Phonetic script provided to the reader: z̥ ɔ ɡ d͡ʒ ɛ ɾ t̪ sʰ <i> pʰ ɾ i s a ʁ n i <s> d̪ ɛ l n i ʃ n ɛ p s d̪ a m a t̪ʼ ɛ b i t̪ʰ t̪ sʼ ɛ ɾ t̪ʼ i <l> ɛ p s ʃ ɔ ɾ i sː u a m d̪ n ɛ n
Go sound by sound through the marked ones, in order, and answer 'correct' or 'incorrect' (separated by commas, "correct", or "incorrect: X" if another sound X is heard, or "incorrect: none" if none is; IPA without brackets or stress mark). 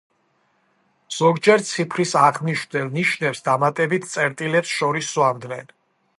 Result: correct, incorrect: ʃ, correct